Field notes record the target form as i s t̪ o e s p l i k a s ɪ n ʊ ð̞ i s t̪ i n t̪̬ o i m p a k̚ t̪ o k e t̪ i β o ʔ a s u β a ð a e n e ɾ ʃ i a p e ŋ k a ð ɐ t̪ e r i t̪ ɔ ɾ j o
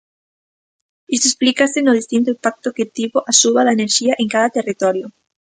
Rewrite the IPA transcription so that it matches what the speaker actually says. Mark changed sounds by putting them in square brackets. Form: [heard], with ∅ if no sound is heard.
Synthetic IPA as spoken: i s t̪ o e s p l i k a s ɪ n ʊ ð̞ i s t̪ i n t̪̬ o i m p a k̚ t̪ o k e t̪ i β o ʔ a s u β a ð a e n e ɾ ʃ i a [ʔ] e ŋ k a ð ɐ t̪ e r i t̪ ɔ ɾ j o